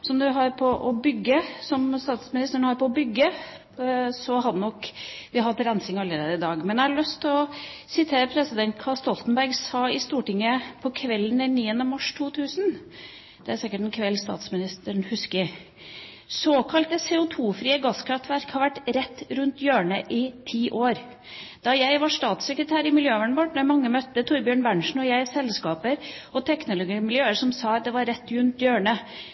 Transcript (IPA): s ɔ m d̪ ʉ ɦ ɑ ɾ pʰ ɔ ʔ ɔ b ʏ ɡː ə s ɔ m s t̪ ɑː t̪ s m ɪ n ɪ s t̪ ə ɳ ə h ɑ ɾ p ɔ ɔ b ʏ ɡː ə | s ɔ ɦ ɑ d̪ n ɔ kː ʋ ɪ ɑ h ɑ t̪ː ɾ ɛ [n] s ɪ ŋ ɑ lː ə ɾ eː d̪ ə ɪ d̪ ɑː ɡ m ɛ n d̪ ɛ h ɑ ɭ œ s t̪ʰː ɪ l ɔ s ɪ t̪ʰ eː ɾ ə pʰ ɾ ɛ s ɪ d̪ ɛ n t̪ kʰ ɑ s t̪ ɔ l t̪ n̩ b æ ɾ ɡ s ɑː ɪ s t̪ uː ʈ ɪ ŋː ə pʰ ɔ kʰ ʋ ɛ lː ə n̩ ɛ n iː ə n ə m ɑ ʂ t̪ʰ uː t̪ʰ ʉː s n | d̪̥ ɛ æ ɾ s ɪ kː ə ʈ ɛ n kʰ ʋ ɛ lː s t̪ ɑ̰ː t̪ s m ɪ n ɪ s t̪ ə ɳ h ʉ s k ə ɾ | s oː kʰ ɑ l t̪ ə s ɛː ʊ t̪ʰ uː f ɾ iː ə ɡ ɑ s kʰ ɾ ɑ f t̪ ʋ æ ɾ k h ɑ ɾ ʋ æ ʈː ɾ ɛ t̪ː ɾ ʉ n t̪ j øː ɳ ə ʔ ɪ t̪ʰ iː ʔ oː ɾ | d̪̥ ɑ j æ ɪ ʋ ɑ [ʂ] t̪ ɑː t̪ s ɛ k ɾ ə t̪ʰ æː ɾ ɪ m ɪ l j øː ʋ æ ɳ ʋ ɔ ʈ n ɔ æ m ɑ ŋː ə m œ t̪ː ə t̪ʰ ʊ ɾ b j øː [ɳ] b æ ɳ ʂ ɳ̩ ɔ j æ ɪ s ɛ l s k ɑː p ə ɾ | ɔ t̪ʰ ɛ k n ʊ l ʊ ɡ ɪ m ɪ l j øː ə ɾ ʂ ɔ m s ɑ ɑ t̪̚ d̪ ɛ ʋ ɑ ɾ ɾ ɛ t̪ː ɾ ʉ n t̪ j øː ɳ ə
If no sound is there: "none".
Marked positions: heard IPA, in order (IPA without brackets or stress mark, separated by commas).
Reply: n, ʂ, ɳ